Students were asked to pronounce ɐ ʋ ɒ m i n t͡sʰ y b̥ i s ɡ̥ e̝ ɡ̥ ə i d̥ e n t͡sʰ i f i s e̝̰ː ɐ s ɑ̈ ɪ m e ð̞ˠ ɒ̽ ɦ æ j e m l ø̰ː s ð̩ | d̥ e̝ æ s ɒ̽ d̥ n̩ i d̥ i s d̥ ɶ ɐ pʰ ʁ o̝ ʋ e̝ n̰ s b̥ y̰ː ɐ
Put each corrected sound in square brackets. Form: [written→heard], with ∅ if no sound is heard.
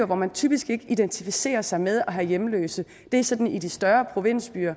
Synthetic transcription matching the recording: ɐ ʋ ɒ m [i→æ] n t͡sʰ y b̥ i s ɡ̥ e̝ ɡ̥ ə i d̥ e n t͡sʰ i f i s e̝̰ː ɐ s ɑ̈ ɪ m e ð̞ˠ ɒ̽ ɦ æ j e m l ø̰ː s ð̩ | d̥ e̝ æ s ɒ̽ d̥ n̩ i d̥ i s d̥ ɶ ɐ pʰ ʁ o̝ ʋ e̝ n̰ s b̥ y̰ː ɐ